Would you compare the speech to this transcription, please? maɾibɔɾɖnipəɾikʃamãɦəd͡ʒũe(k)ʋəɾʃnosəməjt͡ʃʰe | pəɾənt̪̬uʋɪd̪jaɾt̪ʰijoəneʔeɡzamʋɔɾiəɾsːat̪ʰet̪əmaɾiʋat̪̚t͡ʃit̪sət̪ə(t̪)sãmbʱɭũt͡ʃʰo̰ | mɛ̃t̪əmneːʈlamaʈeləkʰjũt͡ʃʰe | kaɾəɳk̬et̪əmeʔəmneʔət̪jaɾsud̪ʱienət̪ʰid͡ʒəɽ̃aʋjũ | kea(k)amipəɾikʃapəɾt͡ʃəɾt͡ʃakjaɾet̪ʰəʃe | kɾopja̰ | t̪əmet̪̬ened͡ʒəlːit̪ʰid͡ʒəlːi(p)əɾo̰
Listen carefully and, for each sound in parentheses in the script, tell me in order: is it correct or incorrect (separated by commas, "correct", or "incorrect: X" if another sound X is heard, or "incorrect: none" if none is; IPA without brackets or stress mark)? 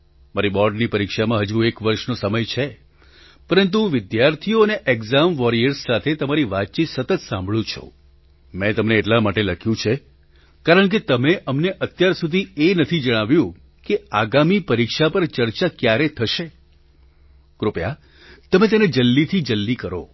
correct, correct, incorrect: ɡ, incorrect: k